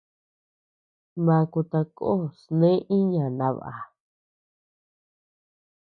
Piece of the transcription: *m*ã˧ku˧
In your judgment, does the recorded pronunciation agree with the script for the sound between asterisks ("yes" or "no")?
yes